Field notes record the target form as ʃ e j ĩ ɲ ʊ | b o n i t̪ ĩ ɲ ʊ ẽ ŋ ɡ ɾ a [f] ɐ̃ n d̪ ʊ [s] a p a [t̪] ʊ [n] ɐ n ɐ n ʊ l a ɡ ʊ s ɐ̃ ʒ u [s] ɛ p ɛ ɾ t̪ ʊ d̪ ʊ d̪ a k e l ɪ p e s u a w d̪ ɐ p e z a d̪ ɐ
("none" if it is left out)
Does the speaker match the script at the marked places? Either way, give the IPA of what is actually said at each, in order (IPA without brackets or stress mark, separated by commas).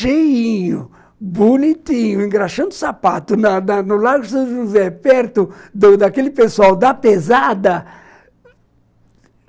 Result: ʃ, s, t̪, n, z